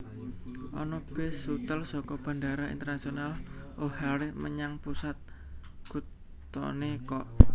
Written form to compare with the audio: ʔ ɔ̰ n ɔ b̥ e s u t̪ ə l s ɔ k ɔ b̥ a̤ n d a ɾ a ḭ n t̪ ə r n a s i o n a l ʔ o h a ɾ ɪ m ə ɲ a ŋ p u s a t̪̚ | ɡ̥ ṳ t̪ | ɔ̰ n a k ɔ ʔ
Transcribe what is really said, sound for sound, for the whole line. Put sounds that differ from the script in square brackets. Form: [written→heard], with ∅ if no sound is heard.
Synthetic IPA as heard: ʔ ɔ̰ n ɔ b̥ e s u t̪ ə l s ɔ k ɔ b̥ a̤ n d a ɾ a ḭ n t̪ ə r n a s i o n a l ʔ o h a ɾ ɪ m ə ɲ a ŋ p u s a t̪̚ | ɡ̥ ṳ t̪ | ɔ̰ n [a→e] k ɔ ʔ